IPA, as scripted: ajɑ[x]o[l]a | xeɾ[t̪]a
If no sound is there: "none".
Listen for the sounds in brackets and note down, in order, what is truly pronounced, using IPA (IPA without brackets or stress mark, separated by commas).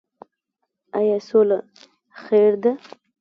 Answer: s, l, d̪